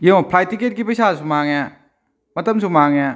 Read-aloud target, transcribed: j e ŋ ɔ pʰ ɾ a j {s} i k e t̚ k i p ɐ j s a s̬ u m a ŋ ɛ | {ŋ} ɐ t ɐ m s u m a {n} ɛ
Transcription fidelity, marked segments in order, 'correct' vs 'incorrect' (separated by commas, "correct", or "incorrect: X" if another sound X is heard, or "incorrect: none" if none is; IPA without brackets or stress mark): incorrect: t, incorrect: m, incorrect: ŋ